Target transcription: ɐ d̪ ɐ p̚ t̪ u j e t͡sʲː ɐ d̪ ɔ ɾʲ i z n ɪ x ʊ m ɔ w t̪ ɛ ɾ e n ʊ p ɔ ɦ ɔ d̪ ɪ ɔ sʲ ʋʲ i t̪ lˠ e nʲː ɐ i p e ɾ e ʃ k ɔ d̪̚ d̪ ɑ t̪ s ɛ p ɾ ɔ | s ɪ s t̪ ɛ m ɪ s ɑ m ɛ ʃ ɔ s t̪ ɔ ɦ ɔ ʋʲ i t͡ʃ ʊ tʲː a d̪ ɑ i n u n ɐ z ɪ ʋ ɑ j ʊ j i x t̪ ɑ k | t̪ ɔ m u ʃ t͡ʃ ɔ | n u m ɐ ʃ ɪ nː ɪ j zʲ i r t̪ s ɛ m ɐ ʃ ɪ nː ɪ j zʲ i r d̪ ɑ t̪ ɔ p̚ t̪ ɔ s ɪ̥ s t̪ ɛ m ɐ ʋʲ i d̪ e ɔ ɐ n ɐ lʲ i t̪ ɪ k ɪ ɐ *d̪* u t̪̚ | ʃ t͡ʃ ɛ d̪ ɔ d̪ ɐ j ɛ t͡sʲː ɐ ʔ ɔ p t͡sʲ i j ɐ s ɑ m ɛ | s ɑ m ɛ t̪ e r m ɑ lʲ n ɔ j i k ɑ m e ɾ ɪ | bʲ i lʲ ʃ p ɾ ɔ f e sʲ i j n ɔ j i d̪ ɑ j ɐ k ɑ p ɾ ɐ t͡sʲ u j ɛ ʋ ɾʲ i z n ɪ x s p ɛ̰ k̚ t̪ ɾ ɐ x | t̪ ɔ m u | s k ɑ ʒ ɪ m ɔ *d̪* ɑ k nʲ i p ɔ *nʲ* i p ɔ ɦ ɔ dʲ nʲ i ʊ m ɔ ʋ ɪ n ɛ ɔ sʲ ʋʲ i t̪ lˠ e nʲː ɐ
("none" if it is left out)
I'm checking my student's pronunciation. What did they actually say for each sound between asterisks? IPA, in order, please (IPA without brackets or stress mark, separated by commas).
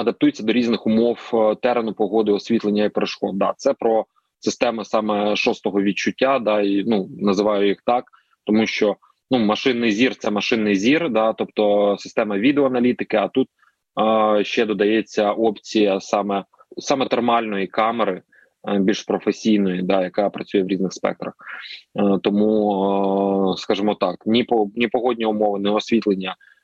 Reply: t̪, t̪, nʲ